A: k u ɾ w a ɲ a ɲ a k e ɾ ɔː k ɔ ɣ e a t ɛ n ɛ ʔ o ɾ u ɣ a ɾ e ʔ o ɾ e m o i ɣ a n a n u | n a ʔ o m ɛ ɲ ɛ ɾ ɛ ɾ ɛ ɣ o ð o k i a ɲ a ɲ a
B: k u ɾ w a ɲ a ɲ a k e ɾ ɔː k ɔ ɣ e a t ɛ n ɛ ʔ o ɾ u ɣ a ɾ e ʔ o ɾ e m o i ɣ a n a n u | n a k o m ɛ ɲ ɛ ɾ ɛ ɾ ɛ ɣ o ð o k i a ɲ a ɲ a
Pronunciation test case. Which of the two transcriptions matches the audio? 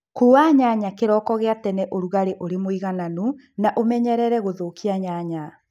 A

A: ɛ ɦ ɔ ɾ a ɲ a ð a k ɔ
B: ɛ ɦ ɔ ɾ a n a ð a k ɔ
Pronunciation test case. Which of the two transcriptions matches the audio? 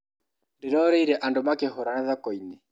B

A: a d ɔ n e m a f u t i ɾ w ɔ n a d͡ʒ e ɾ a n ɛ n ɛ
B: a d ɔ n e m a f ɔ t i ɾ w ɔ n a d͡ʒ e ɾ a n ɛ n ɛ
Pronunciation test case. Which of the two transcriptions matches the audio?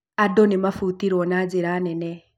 A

